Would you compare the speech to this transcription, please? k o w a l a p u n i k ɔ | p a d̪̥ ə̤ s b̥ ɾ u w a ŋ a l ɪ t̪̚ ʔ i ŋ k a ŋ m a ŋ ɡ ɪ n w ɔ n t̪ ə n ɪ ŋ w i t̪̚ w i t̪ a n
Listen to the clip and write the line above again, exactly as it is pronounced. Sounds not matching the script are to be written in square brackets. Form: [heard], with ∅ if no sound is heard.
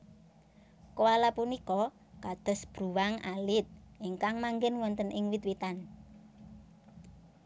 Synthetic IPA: k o w a l a p u n i k ɔ | [k] a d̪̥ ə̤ s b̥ ɾ u w a ŋ a l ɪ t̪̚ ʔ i ŋ k a ŋ m a ŋ ɡ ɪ n w ɔ n t̪ ə n ɪ ŋ w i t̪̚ w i t̪ a n